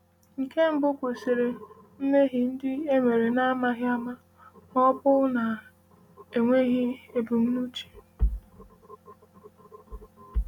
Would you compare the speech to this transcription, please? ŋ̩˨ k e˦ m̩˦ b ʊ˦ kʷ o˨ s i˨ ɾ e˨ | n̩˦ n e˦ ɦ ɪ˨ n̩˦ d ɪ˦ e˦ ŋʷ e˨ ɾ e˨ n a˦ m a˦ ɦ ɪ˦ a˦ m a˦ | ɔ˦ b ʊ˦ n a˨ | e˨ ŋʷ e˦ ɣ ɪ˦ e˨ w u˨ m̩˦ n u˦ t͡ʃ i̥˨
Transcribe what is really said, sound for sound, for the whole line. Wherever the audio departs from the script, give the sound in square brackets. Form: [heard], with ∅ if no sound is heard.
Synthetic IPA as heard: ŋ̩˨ k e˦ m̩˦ b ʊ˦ kʷ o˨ s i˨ ɾ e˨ | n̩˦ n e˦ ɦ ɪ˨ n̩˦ d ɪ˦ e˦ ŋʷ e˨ ɾ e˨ n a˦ m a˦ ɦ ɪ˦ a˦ m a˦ | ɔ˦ b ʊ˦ n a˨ | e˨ ŋʷ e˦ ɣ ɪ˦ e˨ [b] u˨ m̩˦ n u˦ t͡ʃ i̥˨

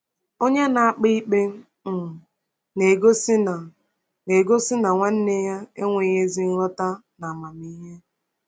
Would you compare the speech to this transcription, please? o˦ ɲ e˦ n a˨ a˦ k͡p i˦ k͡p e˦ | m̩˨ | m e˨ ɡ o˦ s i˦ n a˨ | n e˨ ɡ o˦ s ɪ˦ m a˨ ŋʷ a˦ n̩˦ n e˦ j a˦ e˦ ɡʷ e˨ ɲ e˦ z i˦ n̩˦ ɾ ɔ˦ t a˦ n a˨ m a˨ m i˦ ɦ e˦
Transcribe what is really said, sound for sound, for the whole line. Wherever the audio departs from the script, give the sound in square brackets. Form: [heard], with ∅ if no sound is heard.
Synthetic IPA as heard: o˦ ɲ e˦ n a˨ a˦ k͡p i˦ k͡p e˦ | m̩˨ | [n] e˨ ɡ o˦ s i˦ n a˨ | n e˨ ɡ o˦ s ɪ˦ [n] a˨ ŋʷ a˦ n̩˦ n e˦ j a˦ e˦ [ŋʷ] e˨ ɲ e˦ z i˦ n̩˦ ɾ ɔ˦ t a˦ n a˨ m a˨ m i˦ ɦ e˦

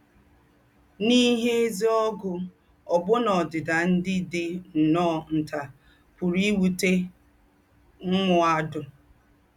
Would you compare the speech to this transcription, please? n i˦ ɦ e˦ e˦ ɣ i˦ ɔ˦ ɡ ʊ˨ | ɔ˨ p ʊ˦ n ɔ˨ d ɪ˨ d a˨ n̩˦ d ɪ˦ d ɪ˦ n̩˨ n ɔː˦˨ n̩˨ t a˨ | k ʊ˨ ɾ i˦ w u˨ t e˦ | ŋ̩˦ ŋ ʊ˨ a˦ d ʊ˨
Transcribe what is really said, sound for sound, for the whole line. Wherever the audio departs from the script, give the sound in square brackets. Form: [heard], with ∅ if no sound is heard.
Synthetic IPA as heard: n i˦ ɦ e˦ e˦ [z] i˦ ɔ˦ ɡ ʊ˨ | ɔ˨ [b] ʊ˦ n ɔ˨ d ɪ˨ d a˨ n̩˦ d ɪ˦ d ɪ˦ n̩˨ n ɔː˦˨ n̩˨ t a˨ | [p] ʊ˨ ɾ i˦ w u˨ t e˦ | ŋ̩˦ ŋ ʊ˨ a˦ d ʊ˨

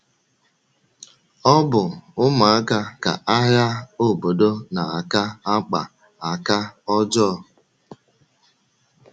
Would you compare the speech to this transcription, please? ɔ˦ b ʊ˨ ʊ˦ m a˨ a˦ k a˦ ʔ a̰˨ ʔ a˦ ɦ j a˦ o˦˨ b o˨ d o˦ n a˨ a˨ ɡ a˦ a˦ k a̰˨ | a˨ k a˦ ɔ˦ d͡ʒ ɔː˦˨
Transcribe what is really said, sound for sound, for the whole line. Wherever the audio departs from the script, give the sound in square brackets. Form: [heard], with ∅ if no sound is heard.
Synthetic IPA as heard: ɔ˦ b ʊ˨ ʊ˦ m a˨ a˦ k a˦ [k] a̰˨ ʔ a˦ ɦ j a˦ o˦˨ b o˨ d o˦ n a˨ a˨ [k] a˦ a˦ [k͡p] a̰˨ | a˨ k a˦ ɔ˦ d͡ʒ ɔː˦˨

